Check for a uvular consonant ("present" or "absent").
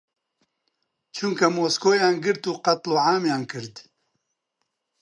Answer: present